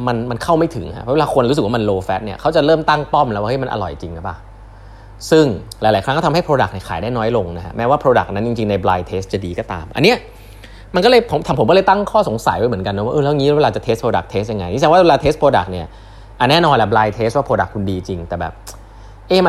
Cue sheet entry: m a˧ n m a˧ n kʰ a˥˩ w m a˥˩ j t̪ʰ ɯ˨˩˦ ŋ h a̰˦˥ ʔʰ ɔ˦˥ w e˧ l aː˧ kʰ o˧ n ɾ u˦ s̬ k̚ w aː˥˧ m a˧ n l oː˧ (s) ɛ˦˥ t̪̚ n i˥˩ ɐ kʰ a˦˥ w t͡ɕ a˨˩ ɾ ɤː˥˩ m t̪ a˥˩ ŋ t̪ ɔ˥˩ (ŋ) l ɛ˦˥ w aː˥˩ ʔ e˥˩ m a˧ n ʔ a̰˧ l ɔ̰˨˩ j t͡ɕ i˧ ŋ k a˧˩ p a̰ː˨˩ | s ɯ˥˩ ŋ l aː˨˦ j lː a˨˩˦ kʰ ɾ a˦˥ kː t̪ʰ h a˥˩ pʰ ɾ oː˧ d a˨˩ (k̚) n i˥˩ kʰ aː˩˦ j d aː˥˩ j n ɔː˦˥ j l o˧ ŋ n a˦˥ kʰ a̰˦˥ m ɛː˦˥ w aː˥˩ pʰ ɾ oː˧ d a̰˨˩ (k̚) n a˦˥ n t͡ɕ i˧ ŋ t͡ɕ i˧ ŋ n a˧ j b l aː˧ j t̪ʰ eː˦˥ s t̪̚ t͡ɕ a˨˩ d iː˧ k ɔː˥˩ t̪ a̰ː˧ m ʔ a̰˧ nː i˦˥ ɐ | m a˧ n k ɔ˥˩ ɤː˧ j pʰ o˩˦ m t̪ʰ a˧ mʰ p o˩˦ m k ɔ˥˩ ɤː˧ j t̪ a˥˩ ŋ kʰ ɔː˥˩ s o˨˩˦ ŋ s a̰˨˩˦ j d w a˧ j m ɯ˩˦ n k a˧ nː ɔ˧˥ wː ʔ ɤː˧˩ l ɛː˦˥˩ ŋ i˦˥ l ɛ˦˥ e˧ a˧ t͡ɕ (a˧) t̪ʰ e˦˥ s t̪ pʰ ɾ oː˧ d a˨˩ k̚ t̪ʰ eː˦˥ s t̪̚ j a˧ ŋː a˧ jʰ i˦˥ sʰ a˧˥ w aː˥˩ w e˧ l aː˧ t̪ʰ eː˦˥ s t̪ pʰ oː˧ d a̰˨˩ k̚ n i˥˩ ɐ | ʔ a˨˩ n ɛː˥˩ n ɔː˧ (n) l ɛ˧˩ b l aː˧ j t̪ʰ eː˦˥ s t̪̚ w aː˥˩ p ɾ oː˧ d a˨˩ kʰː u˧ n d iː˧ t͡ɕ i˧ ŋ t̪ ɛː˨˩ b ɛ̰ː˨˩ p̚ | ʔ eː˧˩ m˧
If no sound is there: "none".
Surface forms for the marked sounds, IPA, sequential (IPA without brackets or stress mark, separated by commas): f, m, k̚, k̚, a˨˩, n